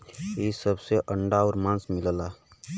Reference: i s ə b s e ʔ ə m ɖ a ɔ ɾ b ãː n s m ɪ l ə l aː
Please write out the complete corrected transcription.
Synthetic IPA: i s ə b s e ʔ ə ɳ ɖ a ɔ ɾ m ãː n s m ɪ l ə l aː